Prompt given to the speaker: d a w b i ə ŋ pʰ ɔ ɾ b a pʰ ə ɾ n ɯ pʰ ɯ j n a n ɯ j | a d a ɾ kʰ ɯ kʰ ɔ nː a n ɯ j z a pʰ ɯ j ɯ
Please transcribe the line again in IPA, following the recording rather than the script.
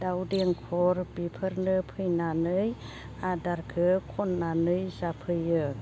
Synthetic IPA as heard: d a w d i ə ŋ kʰ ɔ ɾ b i pʰ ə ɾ n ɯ pʰ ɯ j n a n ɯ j | a d a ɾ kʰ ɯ kʰ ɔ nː a n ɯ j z a pʰ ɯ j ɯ

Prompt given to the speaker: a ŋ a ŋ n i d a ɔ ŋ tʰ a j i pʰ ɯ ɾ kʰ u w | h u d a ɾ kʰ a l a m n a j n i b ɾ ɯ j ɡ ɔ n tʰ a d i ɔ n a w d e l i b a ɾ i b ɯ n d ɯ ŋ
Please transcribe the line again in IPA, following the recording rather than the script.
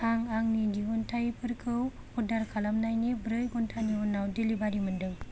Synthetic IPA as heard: a ŋ a ŋ n i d i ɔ n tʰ a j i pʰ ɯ ɾ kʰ ɯ w | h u d a ɾ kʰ a l a m n a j n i b ɾ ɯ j ɡ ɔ n tʰ a n i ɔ n a w d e l i b a ɾ i m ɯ n d ɯ ŋ

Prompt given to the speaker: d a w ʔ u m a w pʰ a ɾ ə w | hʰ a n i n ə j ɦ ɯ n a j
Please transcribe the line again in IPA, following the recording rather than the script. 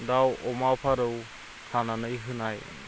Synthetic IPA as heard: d a w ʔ ɔ m a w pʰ a ɾ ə w | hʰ a n a n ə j ɦ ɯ n a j

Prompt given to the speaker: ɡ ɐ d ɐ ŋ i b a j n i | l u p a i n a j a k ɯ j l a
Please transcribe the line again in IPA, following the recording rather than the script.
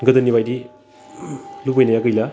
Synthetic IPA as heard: ɡ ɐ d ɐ n i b a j d i | l u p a j n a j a k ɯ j l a

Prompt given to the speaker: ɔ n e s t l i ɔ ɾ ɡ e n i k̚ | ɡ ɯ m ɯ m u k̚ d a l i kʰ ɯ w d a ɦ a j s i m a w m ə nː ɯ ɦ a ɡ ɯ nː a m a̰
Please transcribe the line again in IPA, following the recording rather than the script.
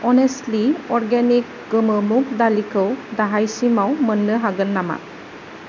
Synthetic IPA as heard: ɔ n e s t l i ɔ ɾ ɡ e n i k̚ | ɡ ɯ m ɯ m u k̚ d a l i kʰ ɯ w d a ɦ a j s i m a w m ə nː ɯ ɦ a ɡ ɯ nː a m a̰

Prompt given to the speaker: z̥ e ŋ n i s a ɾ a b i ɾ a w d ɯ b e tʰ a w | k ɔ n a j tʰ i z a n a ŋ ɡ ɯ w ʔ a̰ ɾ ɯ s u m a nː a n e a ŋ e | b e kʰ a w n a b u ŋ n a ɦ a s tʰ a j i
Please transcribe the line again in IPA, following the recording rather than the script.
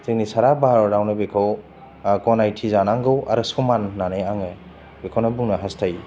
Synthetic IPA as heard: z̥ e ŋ n i s a ɾ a b a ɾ a w n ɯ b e kʰ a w | k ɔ n a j tʰ i z a n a ŋ ɡ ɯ w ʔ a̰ ɾ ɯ s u m a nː a n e a ŋ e | b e kʰ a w n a b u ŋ n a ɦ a s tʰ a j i

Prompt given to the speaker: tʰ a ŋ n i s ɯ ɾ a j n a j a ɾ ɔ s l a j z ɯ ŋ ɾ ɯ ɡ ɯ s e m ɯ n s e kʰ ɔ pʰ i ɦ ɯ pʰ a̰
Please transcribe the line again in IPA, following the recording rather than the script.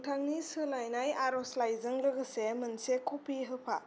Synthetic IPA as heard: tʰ a ŋ n i s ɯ l a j n a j a ɾ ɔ s l a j z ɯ ŋ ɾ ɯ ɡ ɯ s e m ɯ n s e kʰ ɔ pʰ i ɦ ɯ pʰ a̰

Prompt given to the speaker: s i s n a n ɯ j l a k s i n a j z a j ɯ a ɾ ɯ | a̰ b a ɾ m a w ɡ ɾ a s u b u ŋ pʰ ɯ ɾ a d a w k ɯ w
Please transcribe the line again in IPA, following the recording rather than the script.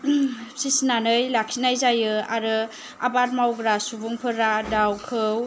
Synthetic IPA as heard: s i s n a n ɯ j l a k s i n a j z a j ɯ a ɾ ɯ | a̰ b a ɾ m a w ɡ ɾ a s u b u ŋ pʰ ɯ ɾ a d a w kʰ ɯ w

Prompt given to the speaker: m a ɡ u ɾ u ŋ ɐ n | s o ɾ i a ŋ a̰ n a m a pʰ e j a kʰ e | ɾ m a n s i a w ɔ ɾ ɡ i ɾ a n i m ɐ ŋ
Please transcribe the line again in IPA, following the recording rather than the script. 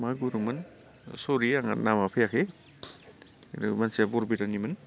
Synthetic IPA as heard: m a ɡ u ɾ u m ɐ n | s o ɾ i a ŋ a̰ n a m a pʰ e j a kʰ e | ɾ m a n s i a b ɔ ɾ b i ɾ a n i m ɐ n

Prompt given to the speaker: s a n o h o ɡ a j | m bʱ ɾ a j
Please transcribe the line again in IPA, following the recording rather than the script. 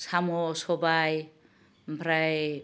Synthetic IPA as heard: s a m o s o b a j | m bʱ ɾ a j

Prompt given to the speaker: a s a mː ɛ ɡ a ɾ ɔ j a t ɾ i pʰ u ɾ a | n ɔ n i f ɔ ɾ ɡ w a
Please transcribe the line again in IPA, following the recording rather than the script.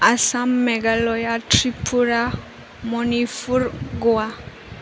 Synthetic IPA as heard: a s a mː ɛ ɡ a l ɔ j a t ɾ i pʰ u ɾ a | m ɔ n i f u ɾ ɡ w a

